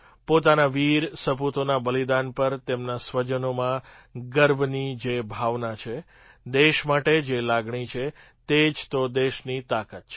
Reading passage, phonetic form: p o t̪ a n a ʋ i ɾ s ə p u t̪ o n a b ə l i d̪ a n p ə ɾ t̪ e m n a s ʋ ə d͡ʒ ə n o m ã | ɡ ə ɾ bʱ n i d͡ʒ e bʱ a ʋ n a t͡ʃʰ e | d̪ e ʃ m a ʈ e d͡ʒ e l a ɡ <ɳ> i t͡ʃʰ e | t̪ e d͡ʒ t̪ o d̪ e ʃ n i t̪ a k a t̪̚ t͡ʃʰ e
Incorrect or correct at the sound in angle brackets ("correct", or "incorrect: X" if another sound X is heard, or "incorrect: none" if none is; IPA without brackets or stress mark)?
correct